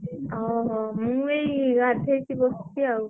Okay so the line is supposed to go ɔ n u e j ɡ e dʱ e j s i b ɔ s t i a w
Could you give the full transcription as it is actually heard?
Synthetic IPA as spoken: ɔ m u e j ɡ a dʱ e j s i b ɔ s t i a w